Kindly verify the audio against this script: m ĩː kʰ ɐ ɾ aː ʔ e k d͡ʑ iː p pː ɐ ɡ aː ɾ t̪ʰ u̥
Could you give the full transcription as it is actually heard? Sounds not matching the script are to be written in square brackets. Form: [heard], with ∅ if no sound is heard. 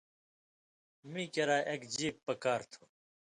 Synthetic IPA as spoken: m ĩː [k] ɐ ɾ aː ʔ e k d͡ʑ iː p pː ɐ [k] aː ɾ t̪ʰ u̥